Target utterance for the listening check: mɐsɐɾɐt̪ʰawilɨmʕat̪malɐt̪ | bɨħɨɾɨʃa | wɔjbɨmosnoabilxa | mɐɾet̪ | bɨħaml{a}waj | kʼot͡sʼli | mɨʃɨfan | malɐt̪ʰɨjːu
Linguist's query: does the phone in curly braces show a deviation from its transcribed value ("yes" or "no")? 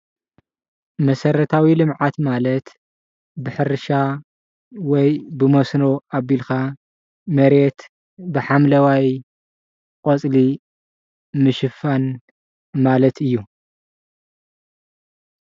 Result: yes